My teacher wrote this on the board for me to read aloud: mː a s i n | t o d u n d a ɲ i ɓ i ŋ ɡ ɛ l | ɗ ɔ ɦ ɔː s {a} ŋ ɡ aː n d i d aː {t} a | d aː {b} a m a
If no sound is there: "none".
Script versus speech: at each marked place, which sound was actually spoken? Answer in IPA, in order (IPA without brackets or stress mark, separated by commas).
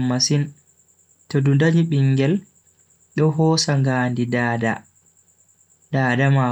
a, d, d